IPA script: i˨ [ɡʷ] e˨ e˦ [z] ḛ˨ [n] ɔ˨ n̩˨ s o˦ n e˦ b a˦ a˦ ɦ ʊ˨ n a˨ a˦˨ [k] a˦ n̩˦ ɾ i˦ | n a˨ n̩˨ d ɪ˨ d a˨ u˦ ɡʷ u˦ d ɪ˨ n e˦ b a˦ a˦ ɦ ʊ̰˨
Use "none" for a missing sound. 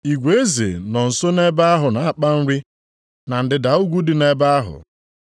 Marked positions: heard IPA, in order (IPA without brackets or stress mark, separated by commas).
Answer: ɡʷ, z, n, k͡p